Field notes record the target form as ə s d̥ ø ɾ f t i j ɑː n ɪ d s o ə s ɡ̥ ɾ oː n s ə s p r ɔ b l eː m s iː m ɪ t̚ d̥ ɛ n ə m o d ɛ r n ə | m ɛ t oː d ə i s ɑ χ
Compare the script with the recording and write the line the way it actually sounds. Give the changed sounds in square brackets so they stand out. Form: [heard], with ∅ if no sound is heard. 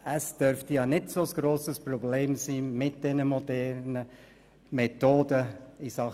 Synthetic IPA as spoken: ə s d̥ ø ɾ f t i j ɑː n ɪ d s o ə s ɡ̥ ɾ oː [∅] s ə s p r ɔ b l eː m s iː m ɪ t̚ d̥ ɛ n ə m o d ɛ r n ə | m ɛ t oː d ə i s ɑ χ